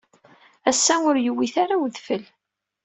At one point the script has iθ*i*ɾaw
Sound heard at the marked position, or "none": a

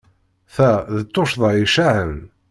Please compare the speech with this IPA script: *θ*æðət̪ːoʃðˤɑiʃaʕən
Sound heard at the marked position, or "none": θ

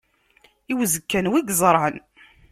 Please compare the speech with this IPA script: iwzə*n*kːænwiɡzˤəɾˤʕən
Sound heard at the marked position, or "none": none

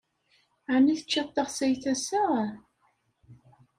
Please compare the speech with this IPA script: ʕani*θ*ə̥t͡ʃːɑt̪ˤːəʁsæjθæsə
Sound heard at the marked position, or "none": θ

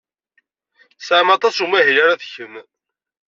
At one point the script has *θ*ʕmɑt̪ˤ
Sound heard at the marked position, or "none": s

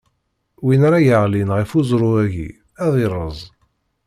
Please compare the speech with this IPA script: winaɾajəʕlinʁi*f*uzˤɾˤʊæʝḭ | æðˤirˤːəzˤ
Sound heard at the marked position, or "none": f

